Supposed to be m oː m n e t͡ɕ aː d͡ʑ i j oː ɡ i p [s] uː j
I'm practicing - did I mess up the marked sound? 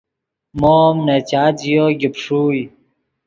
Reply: yes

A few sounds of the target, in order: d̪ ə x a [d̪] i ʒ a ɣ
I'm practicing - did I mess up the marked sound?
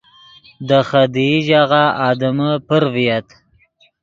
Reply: no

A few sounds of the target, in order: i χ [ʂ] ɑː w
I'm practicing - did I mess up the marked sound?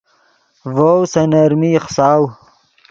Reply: yes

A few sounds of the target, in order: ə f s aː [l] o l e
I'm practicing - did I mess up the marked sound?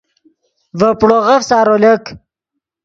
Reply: yes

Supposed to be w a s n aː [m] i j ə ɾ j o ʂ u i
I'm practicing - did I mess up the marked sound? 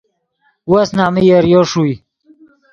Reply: no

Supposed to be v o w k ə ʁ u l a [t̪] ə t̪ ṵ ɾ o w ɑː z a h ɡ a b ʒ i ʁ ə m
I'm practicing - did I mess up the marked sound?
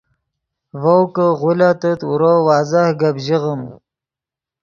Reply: no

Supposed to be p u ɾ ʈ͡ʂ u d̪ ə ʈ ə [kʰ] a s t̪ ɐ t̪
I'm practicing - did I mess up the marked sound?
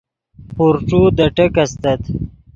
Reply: yes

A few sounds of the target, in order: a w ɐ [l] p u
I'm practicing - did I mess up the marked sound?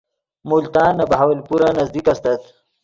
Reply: no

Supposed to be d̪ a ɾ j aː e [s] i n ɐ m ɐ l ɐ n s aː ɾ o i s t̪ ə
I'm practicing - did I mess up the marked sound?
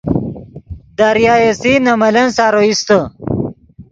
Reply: no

